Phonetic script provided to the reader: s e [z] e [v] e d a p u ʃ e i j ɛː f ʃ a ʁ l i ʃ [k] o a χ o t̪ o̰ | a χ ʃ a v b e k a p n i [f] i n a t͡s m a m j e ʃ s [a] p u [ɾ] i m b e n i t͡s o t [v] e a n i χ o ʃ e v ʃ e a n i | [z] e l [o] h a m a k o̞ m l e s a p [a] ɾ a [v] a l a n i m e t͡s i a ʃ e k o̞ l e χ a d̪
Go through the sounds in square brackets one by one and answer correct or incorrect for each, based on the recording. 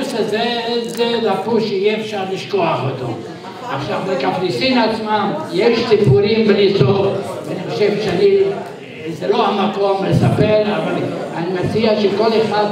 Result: correct, incorrect, correct, incorrect, incorrect, correct, correct, correct, correct, incorrect, correct

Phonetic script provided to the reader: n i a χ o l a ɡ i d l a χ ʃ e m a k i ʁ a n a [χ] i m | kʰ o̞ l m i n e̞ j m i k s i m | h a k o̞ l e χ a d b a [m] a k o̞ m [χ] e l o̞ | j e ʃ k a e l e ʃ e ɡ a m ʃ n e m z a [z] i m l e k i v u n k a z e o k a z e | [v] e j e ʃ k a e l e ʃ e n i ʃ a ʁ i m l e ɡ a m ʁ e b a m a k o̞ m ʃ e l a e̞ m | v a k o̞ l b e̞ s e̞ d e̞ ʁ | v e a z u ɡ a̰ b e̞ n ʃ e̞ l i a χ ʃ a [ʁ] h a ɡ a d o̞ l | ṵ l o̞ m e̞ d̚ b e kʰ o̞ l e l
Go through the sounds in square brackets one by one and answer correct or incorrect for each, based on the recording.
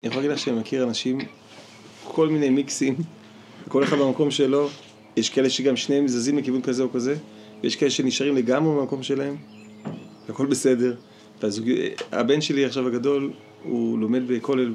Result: incorrect, correct, incorrect, correct, correct, incorrect

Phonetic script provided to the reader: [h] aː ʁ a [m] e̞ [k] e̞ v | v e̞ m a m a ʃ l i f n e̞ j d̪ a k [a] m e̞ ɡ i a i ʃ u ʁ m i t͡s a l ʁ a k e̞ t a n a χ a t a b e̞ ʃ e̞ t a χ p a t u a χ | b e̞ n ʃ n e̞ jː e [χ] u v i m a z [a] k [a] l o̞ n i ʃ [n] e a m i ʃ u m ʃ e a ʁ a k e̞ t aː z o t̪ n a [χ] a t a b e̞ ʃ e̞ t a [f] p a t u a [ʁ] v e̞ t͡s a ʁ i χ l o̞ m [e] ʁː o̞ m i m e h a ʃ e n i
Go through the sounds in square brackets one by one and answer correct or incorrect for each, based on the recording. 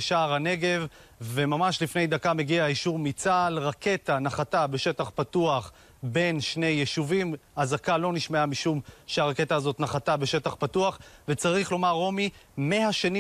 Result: incorrect, incorrect, incorrect, correct, incorrect, correct, correct, incorrect, correct, incorrect, incorrect, incorrect

